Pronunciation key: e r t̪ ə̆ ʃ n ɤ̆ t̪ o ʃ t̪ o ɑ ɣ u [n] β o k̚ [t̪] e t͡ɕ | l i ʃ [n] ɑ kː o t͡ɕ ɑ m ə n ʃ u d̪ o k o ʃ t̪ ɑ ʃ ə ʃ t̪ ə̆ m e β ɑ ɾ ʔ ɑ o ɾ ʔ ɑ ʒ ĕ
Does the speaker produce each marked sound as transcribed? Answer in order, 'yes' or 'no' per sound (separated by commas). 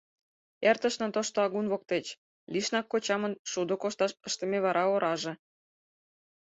yes, yes, yes